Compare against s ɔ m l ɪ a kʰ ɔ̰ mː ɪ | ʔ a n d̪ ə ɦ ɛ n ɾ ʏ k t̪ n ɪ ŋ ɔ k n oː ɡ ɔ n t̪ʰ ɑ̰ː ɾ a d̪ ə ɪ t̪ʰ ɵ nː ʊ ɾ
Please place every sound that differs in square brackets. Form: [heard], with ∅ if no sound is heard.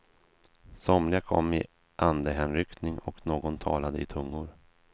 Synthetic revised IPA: s ɔ m l ɪ a kʰ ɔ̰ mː ɪ | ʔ a n d̪ ə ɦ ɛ n ɾ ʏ k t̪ n ɪ ŋ ɔ k n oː ɡ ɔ n t̪ʰ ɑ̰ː [l] a d̪ ə ɪ t̪ʰ ɵ [ŋː] ʊ ɾ